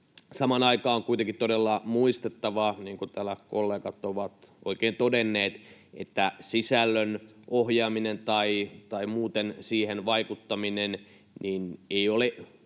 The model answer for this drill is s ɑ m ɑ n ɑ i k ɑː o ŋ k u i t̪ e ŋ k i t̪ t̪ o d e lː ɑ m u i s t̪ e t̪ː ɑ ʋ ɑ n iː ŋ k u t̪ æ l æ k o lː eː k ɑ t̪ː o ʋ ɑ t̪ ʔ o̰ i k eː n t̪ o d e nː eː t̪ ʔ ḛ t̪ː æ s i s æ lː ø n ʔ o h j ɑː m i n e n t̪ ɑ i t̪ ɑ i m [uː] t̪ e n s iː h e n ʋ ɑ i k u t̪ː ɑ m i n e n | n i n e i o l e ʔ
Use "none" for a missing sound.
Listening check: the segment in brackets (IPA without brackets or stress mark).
uː